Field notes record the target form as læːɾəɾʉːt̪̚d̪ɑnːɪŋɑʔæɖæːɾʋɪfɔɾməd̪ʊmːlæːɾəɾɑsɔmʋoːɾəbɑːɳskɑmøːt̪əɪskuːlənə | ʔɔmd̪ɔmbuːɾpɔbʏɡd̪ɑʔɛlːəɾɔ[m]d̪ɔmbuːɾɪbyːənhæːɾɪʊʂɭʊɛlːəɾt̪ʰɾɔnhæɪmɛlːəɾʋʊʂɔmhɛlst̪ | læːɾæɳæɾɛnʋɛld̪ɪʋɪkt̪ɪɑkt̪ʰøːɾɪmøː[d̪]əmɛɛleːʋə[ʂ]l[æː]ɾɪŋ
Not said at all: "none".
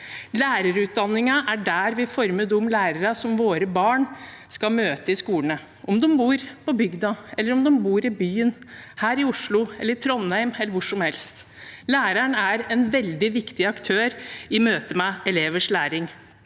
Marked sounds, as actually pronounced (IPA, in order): m, t̪, ʂ, æː

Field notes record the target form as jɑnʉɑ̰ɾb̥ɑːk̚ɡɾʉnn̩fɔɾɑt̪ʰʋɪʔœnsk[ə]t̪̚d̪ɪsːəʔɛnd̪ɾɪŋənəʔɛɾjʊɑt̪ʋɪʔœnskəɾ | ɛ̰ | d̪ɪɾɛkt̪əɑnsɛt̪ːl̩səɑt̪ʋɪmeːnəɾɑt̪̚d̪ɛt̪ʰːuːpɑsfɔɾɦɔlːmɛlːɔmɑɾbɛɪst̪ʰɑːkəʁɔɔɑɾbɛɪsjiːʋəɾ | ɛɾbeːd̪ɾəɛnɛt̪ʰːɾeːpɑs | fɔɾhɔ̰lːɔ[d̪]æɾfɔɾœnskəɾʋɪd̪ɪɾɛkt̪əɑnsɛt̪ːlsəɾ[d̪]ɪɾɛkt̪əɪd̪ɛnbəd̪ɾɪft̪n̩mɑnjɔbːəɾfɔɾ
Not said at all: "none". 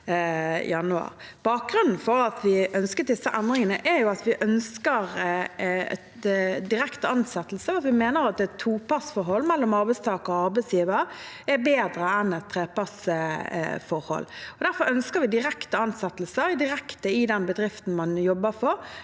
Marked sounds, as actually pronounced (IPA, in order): ə, d̪, d̪

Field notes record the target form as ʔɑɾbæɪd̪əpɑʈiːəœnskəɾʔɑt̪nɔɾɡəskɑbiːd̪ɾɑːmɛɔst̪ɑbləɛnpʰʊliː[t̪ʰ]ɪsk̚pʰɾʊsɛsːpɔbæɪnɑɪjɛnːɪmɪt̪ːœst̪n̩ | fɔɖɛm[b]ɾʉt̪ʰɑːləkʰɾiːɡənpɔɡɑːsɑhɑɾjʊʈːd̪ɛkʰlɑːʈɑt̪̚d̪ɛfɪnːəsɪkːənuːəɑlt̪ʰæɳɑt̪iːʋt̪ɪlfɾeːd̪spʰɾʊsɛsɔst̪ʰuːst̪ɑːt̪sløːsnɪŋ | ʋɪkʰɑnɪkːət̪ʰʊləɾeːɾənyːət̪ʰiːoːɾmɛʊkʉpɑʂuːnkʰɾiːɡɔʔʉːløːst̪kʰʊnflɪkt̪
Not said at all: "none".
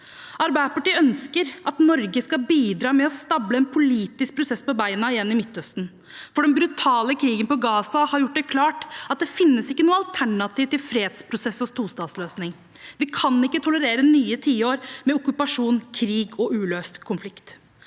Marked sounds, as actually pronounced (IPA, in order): t̪, b

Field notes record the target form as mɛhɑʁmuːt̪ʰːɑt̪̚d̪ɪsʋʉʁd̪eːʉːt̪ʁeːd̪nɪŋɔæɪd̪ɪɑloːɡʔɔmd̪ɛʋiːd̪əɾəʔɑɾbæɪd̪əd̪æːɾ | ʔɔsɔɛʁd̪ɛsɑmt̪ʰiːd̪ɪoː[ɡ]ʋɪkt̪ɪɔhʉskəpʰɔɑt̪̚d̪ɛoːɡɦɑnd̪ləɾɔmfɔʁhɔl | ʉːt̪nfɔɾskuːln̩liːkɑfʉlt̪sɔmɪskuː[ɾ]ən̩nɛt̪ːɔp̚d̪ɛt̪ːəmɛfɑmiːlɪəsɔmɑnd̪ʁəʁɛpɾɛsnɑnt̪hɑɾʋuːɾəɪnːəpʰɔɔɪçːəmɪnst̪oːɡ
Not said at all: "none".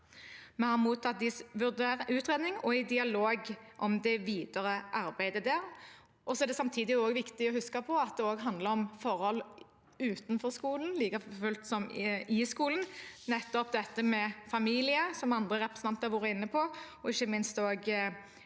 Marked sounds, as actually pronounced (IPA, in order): ɡ, l

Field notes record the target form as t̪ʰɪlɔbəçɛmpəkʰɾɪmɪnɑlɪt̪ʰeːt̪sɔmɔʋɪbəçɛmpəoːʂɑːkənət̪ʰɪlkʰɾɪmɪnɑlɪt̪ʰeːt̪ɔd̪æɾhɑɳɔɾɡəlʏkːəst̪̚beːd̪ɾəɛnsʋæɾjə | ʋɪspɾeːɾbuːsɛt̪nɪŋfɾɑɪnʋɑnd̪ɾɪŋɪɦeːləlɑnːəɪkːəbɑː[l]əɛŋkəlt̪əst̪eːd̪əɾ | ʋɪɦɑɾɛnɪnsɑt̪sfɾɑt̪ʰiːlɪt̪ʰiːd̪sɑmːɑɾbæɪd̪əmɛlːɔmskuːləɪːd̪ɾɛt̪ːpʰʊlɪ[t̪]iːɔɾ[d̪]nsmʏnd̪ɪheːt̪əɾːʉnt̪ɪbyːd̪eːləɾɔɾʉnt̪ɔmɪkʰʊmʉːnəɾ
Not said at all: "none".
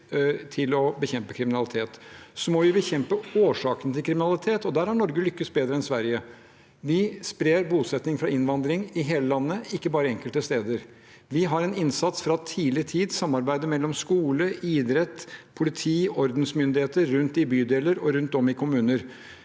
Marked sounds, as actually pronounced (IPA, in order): ɾ, t̪ʰ, d̪

